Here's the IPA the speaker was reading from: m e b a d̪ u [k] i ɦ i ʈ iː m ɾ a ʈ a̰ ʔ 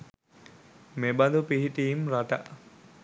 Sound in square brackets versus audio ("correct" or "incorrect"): incorrect